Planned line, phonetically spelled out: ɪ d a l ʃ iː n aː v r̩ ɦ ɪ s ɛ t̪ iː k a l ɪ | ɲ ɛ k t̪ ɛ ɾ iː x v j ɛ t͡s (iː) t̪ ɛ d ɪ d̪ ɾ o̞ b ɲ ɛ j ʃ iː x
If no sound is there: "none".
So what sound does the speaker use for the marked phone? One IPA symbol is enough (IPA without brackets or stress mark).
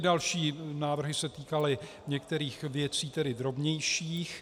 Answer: iː